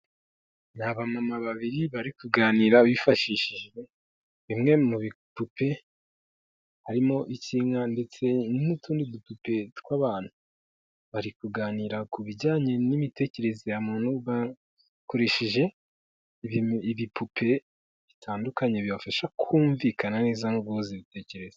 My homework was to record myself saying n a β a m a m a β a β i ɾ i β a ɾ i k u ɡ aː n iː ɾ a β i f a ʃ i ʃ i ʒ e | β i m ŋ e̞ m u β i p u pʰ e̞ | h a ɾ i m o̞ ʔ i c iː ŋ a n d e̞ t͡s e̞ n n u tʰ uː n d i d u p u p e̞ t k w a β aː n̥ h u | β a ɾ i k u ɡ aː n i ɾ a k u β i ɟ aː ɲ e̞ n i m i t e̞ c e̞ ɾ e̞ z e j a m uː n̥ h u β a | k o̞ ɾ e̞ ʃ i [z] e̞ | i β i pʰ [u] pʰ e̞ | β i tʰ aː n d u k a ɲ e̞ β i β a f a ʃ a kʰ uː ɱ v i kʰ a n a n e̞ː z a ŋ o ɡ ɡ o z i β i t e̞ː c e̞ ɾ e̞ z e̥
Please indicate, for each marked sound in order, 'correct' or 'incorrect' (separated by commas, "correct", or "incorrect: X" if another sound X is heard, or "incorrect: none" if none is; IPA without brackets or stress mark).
incorrect: ʒ, correct